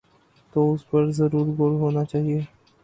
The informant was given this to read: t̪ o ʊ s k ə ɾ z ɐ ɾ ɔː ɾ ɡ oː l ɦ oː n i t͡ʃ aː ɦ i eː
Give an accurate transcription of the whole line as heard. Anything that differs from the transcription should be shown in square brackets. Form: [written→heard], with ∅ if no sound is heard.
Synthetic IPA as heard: t̪ o ʊ s [k→p] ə ɾ z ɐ ɾ [ɔː→uː] ɾ ɡ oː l ɦ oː n [i→a] t͡ʃ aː ɦ i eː

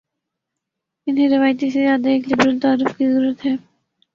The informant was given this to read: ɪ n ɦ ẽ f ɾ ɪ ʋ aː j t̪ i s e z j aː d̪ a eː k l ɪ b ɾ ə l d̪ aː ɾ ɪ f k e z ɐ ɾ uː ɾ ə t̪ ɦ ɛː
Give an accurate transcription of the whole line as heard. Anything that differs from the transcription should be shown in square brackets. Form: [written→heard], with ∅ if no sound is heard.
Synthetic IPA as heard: ɪ n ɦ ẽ [f→∅] ɾ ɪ ʋ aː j t̪ i s e z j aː d̪ a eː k l ɪ b ɾ ə l [d̪→t̪] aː ɾ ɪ f k [e→i] z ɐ ɾ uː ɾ ə t̪ ɦ ɛː

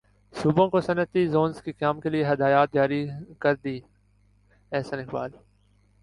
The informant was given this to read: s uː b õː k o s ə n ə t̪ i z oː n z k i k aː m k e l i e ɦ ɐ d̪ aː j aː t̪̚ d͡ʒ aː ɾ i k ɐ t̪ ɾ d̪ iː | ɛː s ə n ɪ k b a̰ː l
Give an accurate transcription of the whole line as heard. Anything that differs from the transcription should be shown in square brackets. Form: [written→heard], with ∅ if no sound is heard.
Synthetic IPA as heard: s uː b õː k o s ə n ə t̪ i z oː n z k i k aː m k e l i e ɦ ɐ d̪ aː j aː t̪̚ d͡ʒ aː ɾ i k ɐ [t̪→∅] ɾ d̪ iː | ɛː s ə n ɪ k b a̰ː l

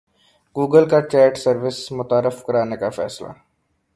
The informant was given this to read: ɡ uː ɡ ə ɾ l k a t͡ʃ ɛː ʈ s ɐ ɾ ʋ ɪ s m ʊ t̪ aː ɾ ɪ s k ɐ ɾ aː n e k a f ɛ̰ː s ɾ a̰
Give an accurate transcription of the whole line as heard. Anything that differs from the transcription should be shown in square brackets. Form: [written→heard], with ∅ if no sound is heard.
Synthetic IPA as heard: ɡ uː ɡ ə [ɾ→∅] l k a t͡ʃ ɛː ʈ s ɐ ɾ ʋ ɪ s m ʊ t̪ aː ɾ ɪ [s→f] k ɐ ɾ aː n e k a f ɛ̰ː s [ɾ→l] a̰

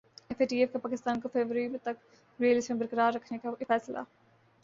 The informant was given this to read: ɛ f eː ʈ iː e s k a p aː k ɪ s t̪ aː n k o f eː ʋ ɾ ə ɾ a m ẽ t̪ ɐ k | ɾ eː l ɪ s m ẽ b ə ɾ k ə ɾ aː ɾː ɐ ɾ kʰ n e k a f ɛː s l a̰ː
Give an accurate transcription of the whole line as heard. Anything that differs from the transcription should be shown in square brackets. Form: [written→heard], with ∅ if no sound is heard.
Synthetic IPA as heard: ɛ f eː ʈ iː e [s→f] k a p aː k ɪ s t̪ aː n k o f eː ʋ ɾ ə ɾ [a→i] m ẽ t̪ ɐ k | ɾ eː l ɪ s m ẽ b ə ɾ k ə ɾ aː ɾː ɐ [ɾ→∅] kʰ n e k a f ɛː s l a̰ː

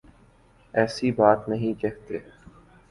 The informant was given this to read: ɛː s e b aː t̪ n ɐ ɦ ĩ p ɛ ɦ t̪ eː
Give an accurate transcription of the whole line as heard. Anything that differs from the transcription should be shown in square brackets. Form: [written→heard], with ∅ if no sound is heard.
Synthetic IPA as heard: ɛː s [e→i] b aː t̪ n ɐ ɦ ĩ [p→k] ɛ ɦ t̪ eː

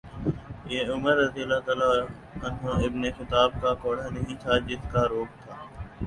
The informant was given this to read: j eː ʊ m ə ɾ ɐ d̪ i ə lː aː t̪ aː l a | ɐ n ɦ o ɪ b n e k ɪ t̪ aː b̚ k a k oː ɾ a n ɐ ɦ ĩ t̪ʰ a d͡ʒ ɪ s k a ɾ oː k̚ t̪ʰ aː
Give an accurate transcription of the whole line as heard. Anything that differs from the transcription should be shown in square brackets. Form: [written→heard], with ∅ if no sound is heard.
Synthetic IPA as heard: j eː ʊ m ə ɾ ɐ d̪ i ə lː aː t̪ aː l a | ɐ n ɦ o ɪ b n e [k→x] ɪ t̪ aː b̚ k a k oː [ɾ→ɽ] a n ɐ ɦ ĩ t̪ʰ a d͡ʒ ɪ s k a ɾ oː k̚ t̪ʰ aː

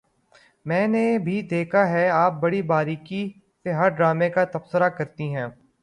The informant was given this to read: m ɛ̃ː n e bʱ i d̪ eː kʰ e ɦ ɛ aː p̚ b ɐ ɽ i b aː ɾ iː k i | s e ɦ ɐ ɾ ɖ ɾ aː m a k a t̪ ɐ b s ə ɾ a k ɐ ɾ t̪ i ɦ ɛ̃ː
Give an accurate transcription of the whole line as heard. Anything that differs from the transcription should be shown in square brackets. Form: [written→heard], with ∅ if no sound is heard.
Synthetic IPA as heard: m ɛ̃ː n e bʱ i d̪ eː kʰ [e→a] ɦ ɛ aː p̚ b ɐ ɽ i b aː ɾ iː k i | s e ɦ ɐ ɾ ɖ ɾ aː m [a→e] k a t̪ ɐ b s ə ɾ a k ɐ ɾ t̪ i ɦ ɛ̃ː

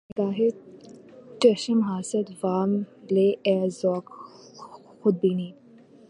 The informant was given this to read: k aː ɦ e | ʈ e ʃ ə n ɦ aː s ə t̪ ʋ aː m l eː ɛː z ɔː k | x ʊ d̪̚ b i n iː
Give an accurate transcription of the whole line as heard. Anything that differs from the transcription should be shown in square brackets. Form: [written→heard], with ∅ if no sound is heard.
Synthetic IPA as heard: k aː ɦ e | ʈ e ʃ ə [n→m] ɦ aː s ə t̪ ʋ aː m l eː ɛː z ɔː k | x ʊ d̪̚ b i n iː

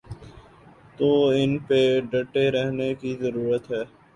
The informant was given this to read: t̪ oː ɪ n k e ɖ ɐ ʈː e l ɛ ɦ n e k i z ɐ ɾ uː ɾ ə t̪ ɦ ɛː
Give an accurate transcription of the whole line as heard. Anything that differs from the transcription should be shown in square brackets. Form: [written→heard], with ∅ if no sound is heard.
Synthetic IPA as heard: t̪ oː ɪ n [k→p] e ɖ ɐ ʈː e [l→ɾ] ɛ ɦ n e k i z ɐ ɾ uː ɾ ə t̪ ɦ ɛː

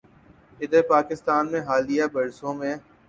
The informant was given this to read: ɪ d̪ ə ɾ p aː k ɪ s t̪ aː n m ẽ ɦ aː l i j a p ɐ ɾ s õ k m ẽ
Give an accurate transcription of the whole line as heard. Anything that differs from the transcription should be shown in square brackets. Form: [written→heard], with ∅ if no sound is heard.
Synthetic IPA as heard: ɪ d̪ ə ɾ p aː k ɪ s t̪ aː n m ẽ ɦ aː l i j a [p→b] ɐ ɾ s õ [k→∅] m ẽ

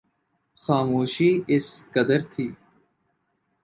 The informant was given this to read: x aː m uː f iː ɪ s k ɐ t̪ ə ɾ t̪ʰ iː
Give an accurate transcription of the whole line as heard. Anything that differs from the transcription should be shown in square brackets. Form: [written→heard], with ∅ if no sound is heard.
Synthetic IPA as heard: x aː m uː [f→ʃ] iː ɪ s k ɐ [t̪→d̪] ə ɾ t̪ʰ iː

